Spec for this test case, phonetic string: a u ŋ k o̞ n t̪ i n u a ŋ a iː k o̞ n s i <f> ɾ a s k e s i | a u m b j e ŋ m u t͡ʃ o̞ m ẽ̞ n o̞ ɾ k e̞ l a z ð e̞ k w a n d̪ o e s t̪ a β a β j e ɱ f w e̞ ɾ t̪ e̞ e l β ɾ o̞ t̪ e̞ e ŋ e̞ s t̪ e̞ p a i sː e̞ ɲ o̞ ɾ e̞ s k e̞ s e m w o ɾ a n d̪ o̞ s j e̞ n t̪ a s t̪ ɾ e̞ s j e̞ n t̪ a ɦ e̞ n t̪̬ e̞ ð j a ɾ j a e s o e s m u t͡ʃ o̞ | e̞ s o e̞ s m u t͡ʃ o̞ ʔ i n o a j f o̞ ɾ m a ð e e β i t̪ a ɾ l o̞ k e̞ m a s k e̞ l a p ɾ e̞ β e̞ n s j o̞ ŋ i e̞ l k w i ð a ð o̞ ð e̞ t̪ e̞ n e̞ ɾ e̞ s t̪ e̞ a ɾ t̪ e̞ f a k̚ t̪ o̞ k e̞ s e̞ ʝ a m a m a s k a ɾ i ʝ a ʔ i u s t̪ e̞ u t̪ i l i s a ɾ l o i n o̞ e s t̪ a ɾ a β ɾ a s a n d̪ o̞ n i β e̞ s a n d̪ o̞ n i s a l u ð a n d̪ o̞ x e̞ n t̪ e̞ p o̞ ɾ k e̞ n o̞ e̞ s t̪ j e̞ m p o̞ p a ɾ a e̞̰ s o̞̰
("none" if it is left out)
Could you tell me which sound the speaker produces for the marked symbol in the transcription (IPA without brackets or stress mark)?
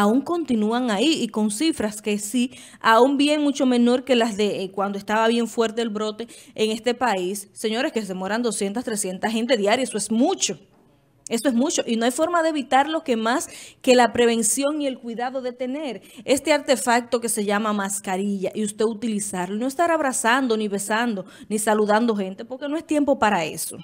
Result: f